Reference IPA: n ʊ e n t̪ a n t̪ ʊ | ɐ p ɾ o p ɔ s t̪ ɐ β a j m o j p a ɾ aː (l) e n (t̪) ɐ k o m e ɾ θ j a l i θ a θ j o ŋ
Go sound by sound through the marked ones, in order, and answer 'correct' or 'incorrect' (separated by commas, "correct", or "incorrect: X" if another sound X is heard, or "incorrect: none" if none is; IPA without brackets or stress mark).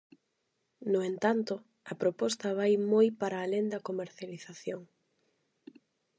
correct, incorrect: d̪